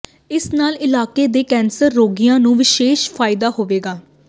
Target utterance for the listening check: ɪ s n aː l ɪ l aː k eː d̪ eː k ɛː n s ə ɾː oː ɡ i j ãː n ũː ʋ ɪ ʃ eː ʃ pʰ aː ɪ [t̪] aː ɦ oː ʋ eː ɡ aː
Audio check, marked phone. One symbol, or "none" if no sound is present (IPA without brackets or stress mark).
d̪